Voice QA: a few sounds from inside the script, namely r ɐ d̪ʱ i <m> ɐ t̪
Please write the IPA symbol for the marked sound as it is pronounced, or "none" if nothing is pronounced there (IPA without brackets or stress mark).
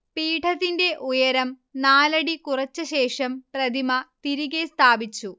m